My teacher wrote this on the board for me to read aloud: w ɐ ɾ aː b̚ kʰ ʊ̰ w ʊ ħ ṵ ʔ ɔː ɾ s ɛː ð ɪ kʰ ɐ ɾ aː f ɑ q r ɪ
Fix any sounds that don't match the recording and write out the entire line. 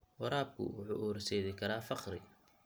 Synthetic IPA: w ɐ ɾ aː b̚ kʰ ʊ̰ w ʊ ħ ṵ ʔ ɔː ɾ s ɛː ð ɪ kʰ ɐ ɾ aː f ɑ q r ɪ